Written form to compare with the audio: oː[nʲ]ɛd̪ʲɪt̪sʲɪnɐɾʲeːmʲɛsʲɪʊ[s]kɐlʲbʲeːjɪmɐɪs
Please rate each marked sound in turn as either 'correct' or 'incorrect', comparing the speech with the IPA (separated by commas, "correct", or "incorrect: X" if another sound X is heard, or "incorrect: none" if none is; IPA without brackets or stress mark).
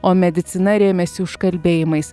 incorrect: mʲ, incorrect: ʃ